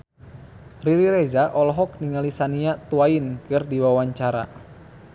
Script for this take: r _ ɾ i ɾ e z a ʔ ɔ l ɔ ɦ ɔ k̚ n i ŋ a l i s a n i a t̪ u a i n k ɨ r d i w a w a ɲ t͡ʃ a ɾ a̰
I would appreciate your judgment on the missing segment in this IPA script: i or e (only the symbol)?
i